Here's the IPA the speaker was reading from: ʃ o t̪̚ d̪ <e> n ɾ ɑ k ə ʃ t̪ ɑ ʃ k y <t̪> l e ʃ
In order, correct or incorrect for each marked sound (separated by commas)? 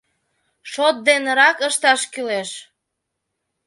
correct, incorrect